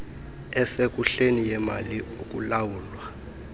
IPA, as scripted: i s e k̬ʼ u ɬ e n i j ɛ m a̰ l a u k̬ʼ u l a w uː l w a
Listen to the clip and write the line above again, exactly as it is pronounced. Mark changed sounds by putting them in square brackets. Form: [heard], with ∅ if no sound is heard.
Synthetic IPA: [ɛ] s e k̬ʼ u ɬ e n i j ɛ m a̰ l [i] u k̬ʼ u l a w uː l w a